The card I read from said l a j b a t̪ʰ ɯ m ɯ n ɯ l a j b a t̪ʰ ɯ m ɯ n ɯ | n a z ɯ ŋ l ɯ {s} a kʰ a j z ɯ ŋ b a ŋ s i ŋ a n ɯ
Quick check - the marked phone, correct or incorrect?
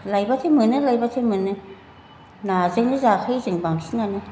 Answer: incorrect: z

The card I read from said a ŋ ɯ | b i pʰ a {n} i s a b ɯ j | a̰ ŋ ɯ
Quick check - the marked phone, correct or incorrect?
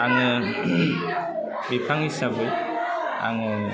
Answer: incorrect: ŋ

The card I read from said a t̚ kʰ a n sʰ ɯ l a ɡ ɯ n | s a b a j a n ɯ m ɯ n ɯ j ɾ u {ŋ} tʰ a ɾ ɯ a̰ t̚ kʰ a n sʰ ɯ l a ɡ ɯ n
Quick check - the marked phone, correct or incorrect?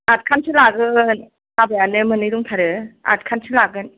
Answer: correct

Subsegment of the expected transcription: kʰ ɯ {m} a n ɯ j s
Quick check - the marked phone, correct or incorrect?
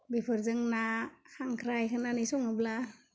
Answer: incorrect: n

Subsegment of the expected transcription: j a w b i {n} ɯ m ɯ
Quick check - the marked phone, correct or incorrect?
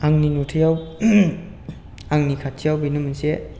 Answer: correct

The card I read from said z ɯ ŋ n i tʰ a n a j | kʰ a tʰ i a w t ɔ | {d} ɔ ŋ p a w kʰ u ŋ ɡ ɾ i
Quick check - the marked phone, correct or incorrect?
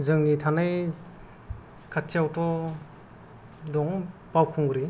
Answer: correct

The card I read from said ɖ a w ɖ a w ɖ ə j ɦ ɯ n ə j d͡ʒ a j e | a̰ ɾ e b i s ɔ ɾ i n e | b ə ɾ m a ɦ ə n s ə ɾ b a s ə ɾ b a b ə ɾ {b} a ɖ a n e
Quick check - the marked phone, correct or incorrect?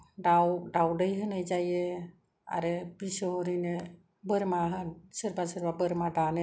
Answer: incorrect: m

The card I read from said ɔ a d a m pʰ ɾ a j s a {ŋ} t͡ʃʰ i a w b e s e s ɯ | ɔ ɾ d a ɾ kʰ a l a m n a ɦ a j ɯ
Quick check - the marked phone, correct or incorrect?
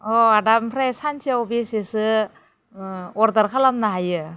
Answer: incorrect: n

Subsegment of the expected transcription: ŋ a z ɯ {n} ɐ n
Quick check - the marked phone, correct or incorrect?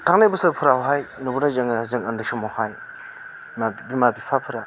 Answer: incorrect: ŋ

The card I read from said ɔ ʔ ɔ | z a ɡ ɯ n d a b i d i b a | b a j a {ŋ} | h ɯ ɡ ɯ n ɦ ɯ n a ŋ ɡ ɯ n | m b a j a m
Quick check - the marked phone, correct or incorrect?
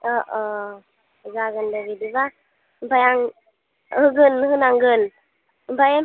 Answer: correct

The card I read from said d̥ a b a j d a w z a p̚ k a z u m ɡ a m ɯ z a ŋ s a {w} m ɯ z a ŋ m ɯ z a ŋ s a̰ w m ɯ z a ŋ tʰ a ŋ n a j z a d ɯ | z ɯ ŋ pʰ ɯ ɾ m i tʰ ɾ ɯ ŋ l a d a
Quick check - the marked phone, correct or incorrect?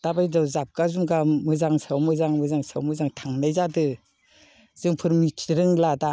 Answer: correct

